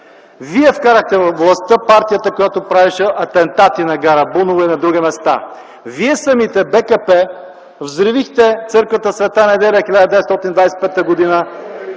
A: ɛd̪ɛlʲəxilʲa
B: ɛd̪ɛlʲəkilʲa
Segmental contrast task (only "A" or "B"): A